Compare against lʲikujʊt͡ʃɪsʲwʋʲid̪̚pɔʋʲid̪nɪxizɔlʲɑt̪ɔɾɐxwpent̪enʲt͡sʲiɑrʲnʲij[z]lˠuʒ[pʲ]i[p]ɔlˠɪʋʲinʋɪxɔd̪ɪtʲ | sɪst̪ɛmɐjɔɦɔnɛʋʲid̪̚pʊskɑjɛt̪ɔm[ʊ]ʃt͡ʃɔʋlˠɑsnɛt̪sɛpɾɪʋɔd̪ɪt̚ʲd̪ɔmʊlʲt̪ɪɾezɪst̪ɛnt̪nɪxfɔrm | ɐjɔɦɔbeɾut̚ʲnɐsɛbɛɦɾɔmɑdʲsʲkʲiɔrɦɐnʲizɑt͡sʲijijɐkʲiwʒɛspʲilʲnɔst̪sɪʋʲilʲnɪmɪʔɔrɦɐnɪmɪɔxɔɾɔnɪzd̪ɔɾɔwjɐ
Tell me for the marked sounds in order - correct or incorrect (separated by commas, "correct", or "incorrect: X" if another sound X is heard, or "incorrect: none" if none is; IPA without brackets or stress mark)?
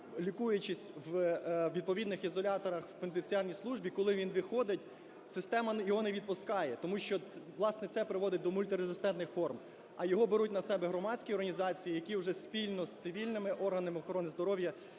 incorrect: s, incorrect: bʲ, incorrect: k, incorrect: u